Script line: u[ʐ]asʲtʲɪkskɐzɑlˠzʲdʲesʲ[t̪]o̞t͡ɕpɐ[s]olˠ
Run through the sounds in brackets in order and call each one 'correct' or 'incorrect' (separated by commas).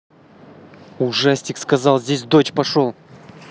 correct, incorrect, incorrect